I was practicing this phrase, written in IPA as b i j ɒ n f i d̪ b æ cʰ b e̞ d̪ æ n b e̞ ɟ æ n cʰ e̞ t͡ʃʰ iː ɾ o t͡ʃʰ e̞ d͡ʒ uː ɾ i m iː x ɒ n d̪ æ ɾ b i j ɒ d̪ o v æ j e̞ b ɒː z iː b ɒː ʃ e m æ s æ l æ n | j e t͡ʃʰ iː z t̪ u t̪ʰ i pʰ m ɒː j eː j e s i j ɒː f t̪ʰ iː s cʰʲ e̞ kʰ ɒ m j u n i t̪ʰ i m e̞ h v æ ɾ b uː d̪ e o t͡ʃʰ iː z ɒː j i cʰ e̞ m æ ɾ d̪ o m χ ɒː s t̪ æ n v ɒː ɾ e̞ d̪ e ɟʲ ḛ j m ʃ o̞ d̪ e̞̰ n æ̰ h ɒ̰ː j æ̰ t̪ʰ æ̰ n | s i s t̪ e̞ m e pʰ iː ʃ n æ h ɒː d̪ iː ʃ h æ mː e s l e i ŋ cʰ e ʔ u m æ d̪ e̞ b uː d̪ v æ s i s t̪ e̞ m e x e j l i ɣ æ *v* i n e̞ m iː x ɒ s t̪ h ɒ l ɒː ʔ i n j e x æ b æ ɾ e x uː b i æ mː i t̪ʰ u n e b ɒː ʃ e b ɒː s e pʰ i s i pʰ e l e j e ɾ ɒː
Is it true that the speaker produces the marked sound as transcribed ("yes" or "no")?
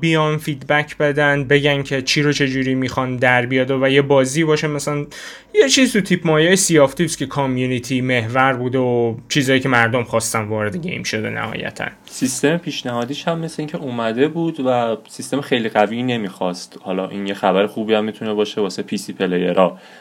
yes